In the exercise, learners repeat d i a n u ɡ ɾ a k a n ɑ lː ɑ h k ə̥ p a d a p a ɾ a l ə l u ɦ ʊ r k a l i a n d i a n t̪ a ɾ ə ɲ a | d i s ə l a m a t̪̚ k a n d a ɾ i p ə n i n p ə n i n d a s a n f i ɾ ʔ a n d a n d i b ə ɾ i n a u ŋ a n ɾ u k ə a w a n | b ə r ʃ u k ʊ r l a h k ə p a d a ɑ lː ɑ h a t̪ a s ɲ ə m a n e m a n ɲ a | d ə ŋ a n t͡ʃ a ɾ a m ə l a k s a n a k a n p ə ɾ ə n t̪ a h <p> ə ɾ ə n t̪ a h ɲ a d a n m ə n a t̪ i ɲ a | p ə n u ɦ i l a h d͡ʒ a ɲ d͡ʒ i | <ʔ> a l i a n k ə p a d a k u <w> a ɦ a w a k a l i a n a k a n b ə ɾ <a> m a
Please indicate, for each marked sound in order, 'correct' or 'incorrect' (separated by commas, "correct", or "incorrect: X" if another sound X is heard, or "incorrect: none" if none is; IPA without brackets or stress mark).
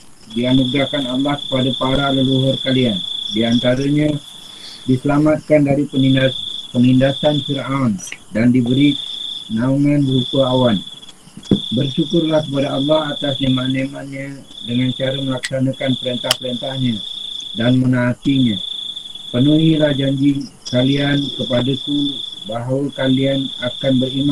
correct, incorrect: k, incorrect: b, incorrect: i